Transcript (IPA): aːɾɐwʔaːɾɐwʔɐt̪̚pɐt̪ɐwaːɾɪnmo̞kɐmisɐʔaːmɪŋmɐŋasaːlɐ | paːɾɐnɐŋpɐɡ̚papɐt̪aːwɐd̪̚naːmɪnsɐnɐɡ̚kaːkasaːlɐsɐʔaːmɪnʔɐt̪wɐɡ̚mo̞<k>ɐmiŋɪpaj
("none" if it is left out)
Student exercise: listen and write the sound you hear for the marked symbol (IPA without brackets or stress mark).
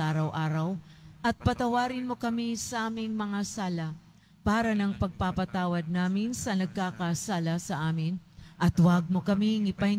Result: k